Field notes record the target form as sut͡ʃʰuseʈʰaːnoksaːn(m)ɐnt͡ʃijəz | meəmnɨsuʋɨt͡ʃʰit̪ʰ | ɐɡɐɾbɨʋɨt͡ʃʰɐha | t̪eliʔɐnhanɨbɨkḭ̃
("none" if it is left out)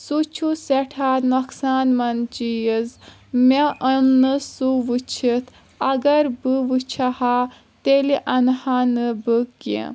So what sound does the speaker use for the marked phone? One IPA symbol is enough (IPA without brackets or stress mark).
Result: m